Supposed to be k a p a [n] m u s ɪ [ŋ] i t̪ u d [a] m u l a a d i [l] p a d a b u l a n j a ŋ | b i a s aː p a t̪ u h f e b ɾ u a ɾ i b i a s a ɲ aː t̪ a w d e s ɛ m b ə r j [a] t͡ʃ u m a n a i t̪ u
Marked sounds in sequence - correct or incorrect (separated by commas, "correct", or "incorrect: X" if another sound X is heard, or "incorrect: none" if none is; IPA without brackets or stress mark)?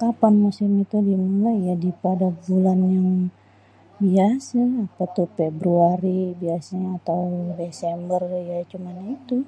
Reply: correct, incorrect: m, incorrect: i, incorrect: none, correct